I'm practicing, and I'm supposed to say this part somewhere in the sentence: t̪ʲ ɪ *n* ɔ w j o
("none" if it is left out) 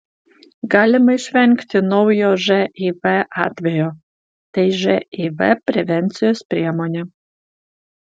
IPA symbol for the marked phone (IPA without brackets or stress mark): n